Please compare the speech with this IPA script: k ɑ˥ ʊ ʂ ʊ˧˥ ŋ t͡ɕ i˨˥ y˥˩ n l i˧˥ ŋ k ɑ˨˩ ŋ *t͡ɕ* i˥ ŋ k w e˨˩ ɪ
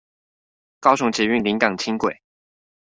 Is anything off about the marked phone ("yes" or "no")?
yes